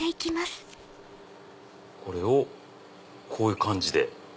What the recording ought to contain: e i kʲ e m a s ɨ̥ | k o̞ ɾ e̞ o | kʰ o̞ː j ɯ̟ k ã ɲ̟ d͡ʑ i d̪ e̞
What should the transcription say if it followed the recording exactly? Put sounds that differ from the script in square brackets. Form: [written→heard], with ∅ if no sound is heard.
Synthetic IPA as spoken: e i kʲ [e→i] m a s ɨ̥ | k o̞ ɾ e̞ o | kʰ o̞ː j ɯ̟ k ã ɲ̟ d͡ʑ i d̪ e̞